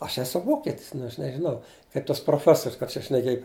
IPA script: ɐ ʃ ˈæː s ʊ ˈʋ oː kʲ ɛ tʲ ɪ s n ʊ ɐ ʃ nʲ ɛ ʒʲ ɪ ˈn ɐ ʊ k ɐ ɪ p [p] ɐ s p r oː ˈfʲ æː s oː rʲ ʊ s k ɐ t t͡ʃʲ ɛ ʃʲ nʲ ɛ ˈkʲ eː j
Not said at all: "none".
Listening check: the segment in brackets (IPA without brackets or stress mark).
t